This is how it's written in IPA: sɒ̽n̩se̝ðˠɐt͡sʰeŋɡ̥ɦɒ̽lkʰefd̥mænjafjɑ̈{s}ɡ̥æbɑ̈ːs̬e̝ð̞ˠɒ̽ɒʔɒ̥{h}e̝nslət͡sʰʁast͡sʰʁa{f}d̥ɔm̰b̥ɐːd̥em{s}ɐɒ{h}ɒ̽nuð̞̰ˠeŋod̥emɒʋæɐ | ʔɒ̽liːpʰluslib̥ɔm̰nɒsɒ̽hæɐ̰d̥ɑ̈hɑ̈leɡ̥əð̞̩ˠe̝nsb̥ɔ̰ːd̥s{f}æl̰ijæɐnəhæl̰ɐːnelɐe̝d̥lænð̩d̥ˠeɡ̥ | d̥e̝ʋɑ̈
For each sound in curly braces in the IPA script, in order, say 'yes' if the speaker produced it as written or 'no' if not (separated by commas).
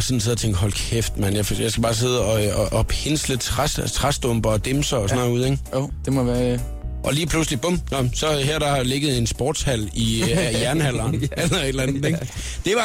yes, yes, no, yes, no, no